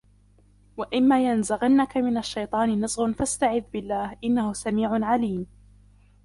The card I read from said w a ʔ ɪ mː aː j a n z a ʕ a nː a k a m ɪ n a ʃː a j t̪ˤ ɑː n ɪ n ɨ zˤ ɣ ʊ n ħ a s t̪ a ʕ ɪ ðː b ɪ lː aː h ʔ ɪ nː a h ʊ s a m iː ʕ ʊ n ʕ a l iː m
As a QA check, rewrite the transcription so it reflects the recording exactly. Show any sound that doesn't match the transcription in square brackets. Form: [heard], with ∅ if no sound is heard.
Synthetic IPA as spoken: w a ʔ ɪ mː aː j a n z a [ɣ] a nː a k a m ɪ n a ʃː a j t̪ˤ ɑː n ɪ n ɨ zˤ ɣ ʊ n [f] a s t̪ a ʕ ɪ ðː b ɪ lː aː h ʔ ɪ nː a h ʊ s a m iː ʕ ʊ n ʕ a l iː m